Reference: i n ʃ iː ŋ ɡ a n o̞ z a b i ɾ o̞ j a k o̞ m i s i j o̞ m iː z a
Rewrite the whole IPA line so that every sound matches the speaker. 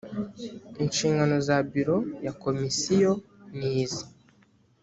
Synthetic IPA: i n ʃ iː ŋ ɡ a n o̞ z a b i ɾ o̞ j a k o̞ m i s i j o̞ n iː z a